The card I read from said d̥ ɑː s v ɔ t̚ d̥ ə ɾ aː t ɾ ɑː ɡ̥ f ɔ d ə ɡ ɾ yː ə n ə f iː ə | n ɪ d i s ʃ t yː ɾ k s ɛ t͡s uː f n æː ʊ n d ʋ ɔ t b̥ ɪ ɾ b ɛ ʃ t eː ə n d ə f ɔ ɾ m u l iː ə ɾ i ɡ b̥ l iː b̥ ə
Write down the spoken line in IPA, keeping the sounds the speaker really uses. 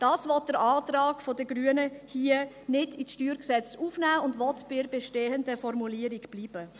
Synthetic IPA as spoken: d̥ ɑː s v ɔ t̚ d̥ ə ɾ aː t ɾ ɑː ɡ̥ f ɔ d ə ɡ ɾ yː ə n ə h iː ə | n ɪ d i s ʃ t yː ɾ k s ɛ t͡s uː f n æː ʊ n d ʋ ɔ t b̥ ɪ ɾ b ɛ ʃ t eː ə n d ə f ɔ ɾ m u l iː ə ɾ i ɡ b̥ l iː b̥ ə